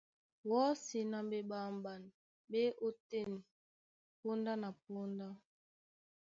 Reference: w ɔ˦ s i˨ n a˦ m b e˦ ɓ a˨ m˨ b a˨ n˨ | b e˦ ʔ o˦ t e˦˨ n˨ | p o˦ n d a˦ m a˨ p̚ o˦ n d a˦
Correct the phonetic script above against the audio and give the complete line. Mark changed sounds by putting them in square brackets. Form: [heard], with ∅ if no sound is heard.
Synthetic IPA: w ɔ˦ s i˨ n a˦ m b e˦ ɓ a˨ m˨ b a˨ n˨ | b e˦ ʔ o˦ t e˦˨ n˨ | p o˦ n d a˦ [n] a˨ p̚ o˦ n d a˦